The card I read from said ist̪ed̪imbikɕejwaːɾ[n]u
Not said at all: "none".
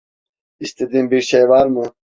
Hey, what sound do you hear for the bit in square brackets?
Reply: m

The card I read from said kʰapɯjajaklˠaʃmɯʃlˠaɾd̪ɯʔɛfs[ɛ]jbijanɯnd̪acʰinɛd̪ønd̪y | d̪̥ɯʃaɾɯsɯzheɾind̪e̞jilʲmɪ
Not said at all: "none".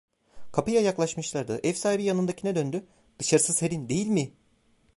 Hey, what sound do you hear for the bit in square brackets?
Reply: a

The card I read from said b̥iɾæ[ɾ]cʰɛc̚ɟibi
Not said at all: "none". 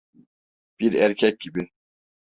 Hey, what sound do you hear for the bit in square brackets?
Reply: ɾ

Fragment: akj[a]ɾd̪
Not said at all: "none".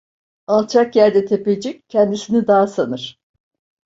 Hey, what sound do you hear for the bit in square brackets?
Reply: æ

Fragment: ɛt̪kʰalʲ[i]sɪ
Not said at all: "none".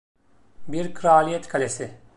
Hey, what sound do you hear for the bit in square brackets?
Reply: e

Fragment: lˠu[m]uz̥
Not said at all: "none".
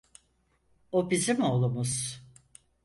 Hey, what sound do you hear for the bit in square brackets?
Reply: m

